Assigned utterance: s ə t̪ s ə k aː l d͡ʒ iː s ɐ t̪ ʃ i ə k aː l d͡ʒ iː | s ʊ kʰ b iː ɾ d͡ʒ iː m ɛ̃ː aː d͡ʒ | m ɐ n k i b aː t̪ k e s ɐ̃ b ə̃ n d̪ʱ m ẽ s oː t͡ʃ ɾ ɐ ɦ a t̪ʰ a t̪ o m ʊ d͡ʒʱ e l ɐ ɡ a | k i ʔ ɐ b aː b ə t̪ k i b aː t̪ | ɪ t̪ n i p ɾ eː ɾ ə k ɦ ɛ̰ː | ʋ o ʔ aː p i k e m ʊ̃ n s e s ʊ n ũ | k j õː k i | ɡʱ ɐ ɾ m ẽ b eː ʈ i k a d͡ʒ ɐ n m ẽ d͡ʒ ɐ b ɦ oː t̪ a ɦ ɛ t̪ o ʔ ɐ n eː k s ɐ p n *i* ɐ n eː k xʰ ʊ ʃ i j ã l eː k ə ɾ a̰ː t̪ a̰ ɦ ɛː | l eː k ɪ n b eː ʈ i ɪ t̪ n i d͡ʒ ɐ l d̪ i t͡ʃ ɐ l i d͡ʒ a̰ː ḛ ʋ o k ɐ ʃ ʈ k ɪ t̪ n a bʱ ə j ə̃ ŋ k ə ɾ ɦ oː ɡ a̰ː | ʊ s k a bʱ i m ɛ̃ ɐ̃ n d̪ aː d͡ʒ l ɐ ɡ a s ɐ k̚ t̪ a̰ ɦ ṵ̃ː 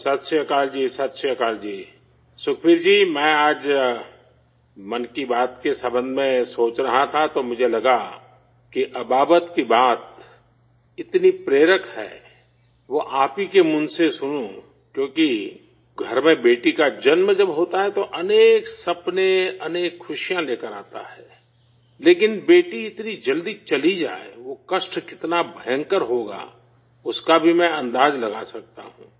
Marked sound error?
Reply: yes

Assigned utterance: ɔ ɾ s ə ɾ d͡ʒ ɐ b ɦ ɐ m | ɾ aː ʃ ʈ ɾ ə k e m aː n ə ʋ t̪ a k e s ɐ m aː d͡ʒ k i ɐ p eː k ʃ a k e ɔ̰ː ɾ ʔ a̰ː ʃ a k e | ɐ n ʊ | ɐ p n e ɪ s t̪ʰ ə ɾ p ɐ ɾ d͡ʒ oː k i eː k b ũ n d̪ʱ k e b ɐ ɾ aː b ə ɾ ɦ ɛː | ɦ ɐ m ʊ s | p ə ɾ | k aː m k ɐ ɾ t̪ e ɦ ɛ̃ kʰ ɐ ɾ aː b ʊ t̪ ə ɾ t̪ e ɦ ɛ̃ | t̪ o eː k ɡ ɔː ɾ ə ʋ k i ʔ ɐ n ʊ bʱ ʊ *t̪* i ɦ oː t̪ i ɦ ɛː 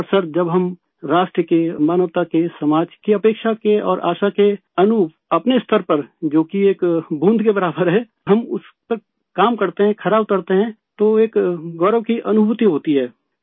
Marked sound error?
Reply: no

